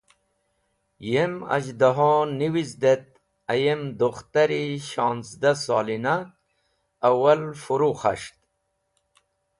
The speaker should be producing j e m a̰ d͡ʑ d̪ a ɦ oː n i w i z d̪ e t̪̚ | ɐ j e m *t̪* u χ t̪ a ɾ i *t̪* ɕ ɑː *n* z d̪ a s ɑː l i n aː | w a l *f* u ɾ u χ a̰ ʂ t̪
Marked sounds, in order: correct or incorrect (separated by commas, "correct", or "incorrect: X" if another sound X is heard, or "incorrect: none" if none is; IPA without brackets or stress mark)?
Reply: incorrect: d̪, incorrect: none, correct, correct